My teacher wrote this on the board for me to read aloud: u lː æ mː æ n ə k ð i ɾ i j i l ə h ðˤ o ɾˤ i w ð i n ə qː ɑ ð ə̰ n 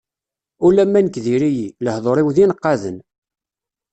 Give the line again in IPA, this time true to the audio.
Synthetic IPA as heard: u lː æ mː æ n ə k ð i ɾ i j i l ə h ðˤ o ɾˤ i w ð i n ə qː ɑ ð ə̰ n